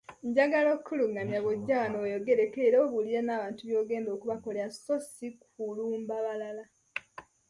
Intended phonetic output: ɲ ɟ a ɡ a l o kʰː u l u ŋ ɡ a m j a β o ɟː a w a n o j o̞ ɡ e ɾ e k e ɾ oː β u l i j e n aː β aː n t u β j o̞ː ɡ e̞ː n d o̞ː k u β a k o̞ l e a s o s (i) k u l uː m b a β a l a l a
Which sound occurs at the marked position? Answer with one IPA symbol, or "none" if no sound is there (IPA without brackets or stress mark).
i